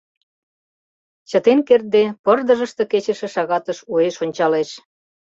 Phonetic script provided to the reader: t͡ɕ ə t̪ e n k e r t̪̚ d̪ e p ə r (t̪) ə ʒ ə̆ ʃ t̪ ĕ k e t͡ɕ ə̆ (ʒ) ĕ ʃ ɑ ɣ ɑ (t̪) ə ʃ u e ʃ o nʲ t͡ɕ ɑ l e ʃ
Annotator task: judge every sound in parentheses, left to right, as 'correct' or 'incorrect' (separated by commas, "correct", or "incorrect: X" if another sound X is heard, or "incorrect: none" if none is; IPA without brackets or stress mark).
incorrect: d̪, incorrect: ʃ, correct